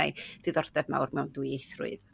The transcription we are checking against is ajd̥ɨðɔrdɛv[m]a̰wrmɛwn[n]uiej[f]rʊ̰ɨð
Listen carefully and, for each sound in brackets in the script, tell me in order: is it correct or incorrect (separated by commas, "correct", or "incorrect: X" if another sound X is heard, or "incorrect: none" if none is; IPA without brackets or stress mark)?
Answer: correct, incorrect: d, incorrect: θ